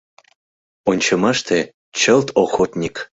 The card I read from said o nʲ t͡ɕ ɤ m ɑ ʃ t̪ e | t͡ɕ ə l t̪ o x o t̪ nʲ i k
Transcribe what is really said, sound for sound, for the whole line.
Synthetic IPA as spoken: o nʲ t͡ɕ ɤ m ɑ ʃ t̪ e | t͡ɕ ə l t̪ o x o t̪ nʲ i k